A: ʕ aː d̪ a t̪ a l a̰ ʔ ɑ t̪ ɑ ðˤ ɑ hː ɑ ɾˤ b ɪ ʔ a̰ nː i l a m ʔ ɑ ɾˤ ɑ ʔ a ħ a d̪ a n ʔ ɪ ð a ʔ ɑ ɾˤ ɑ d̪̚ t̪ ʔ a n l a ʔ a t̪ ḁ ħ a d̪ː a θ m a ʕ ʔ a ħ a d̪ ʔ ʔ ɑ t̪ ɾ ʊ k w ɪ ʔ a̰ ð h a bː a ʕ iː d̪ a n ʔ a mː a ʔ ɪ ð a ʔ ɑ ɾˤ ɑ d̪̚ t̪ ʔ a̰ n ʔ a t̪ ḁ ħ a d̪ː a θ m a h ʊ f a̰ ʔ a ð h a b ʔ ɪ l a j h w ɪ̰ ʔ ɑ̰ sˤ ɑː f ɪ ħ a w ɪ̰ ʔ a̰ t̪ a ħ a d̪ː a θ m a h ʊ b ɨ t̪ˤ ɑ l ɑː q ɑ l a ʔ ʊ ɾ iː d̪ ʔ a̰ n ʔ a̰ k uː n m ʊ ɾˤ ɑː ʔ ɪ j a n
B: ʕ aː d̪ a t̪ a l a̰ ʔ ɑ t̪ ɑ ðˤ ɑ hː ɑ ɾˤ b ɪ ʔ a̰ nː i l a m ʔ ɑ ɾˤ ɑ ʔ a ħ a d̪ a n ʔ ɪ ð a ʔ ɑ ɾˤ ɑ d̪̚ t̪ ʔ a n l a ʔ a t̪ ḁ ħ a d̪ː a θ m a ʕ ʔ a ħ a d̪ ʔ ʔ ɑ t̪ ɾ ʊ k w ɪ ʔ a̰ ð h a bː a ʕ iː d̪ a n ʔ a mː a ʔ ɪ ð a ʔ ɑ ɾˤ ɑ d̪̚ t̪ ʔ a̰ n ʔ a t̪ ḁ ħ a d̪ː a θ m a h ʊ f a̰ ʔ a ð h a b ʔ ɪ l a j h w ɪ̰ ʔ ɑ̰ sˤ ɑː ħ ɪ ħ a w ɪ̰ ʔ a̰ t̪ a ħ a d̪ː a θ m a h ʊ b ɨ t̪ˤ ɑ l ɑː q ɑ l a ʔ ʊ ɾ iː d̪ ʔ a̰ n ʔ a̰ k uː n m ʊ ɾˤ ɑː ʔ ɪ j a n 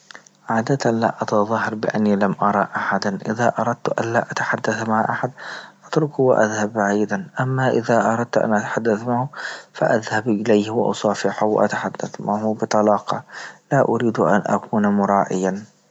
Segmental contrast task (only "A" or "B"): A